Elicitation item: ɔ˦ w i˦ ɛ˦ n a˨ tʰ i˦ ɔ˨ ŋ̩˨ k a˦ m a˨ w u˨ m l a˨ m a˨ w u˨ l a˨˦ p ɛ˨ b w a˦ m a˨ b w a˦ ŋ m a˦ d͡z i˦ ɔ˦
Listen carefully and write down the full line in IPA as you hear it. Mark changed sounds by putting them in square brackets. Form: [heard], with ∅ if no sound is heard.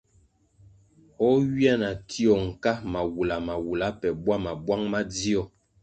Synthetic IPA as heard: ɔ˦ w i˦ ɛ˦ n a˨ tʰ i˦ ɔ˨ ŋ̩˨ k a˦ m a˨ w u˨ [∅] l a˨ m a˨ w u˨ l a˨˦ p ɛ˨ b w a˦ m a˨ b w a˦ ŋ m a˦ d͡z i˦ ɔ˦